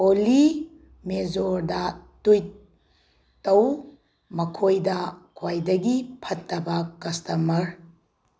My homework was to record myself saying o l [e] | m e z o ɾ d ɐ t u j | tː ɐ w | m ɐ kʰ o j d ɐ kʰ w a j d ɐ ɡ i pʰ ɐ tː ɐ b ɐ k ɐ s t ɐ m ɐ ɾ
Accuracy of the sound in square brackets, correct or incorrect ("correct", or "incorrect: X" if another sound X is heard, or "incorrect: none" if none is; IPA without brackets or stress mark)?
incorrect: i